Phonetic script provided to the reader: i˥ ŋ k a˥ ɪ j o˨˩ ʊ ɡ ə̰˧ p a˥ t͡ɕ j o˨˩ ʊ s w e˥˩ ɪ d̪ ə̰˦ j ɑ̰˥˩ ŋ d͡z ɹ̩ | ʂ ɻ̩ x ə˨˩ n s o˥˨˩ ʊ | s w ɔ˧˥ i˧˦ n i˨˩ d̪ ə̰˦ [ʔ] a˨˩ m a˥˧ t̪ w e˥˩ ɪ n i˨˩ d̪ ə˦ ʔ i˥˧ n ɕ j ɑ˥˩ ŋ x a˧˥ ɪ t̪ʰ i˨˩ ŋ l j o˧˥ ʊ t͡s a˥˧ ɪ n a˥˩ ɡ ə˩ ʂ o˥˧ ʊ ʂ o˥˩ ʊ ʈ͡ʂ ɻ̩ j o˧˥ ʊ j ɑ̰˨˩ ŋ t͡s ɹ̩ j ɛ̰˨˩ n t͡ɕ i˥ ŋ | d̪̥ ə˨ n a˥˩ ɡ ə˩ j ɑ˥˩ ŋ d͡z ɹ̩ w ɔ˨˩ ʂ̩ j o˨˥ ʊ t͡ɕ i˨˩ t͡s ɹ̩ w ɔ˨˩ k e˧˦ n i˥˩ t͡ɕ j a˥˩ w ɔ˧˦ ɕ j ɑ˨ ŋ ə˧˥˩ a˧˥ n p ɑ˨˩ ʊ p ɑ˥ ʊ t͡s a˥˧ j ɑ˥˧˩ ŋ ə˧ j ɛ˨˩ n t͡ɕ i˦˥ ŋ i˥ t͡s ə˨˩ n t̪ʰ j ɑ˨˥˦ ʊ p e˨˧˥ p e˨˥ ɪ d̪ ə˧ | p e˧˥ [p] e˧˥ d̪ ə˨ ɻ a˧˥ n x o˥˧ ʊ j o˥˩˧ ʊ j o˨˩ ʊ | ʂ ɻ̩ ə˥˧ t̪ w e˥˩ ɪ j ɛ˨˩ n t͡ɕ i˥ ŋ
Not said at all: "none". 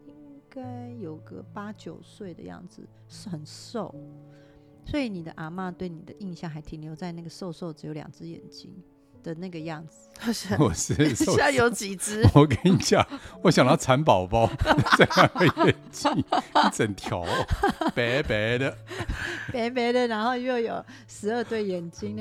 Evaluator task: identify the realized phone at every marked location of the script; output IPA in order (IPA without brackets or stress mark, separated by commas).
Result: ʔ, p